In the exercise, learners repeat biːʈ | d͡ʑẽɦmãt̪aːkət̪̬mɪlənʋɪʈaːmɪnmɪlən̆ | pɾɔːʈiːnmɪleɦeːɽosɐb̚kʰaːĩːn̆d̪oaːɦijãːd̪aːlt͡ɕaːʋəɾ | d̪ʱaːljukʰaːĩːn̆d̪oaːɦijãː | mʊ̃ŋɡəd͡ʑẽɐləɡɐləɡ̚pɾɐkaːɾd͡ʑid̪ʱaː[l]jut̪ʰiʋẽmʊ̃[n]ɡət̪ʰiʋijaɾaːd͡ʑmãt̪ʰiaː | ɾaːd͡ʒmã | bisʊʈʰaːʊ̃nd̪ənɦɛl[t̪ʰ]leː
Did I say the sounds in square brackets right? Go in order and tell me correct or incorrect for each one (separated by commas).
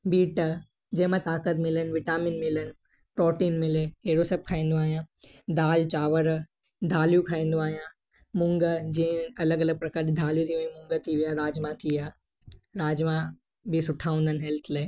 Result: correct, incorrect, correct